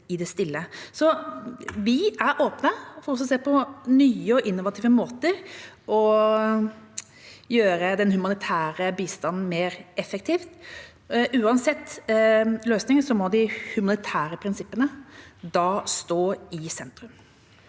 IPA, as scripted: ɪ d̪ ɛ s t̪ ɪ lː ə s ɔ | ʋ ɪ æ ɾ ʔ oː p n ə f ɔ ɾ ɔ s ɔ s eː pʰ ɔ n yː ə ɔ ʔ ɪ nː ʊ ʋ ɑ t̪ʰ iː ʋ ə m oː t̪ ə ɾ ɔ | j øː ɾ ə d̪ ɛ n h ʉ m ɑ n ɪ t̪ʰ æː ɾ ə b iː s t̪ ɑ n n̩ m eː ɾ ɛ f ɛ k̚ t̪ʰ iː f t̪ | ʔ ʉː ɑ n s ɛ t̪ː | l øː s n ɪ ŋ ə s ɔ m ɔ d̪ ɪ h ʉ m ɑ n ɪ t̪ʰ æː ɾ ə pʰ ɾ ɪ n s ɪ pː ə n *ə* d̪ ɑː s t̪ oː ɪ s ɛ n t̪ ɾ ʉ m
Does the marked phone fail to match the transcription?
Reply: no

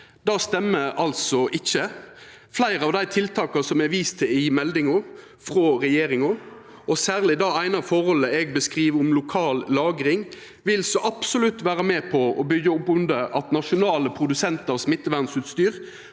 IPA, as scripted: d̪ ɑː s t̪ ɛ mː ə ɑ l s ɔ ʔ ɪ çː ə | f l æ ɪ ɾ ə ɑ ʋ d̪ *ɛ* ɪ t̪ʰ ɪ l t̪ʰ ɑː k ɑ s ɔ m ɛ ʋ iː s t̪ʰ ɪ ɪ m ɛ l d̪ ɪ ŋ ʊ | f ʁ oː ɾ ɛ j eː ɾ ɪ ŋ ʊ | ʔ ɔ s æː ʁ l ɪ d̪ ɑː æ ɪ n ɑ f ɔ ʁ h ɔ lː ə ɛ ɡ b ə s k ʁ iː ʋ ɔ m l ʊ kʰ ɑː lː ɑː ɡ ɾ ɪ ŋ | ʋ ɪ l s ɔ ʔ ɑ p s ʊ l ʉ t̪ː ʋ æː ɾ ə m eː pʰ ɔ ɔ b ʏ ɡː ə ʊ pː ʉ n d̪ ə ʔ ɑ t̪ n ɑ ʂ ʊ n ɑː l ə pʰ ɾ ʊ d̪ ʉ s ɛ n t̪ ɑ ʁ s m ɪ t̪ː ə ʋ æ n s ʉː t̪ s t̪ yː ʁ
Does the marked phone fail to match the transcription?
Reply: yes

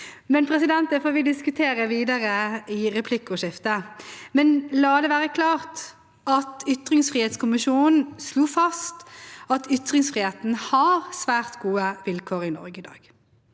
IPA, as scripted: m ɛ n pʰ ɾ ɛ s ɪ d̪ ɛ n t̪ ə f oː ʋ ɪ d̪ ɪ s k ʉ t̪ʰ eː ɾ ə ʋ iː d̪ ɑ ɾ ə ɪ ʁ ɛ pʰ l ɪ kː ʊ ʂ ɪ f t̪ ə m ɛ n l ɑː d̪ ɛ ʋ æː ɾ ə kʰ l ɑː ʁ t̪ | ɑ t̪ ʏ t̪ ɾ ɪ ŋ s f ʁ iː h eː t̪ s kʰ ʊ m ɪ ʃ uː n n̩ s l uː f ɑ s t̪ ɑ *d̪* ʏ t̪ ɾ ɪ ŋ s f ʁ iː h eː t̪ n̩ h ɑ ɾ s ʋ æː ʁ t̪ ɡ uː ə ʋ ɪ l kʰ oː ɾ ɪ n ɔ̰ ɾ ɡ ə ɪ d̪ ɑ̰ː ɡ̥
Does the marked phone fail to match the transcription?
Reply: yes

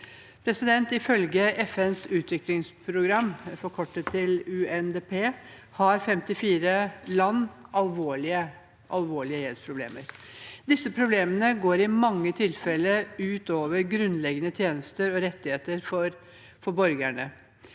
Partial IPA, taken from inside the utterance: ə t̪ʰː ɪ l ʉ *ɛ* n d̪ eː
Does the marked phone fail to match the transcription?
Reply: no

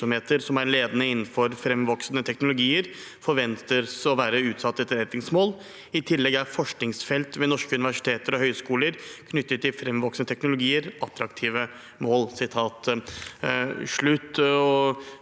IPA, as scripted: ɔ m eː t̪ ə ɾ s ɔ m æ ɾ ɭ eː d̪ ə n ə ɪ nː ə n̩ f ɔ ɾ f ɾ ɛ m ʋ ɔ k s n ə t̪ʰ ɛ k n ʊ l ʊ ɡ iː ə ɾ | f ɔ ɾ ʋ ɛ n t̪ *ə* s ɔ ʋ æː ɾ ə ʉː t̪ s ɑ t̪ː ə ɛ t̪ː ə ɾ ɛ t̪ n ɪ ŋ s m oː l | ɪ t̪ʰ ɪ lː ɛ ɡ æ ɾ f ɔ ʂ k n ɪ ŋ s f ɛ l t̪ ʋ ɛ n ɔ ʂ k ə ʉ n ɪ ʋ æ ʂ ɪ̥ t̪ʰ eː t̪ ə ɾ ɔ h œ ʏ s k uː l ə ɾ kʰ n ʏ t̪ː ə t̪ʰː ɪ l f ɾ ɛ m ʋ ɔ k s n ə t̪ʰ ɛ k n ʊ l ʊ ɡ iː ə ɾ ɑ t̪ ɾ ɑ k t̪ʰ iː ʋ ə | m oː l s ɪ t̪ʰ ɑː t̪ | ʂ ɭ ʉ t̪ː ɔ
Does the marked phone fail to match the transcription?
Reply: no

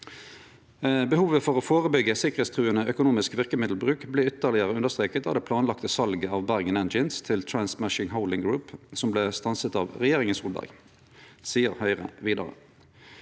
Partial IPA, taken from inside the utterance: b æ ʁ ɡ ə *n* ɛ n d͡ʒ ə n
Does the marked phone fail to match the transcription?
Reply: no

